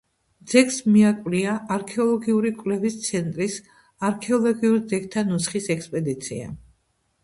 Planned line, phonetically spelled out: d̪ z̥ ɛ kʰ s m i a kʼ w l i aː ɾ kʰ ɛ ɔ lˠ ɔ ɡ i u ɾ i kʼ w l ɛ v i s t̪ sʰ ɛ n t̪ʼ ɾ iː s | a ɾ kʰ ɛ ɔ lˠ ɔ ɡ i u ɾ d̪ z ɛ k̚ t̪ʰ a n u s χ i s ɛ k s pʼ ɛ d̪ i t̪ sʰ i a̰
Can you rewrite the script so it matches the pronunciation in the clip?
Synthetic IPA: d̪ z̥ ɛ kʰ s m i a kʼ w l i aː ɾ kʰ ɛ ɔ lˠ ɔ ɡ i u ɾ i kʼ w l ɛ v i s t̪ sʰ ɛ n t̪ʼ ɾ i s | a ɾ kʰ ɛ ɔ lˠ ɔ ɡ i u ɾ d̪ z ɛ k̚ t̪ʰ a n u s χ i s ɛ k s pʼ ɛ d̪ i t̪ sʰ i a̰